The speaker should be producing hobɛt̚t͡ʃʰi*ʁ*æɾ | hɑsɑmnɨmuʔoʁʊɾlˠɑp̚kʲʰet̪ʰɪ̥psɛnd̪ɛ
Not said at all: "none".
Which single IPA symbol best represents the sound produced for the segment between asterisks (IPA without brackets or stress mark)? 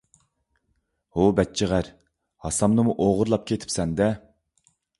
ʁ